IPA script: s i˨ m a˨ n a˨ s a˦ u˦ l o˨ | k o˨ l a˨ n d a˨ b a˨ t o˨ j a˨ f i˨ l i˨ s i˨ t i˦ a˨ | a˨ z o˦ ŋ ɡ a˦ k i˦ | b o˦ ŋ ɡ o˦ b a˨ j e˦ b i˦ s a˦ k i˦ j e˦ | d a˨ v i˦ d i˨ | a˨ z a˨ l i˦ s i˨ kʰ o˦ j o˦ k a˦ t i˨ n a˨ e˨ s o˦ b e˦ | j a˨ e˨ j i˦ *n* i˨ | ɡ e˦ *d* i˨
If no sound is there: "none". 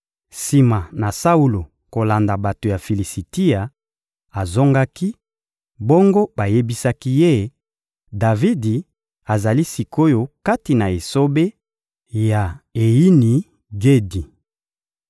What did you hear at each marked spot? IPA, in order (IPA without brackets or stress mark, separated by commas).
n, d